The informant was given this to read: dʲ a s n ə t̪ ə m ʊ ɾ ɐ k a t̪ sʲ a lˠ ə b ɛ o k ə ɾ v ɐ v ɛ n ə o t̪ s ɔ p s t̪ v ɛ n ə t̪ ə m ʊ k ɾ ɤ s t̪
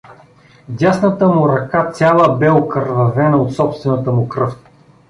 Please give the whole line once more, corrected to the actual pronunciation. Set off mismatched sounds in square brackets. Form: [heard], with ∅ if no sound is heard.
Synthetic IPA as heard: dʲ a s n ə t̪ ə m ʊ ɾ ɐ k a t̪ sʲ a lˠ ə b ɛ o k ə ɾ v ɐ v ɛ n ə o t̪ s ɔ p s t̪ v ɛ n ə t̪ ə m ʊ k ɾ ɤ [f] t̪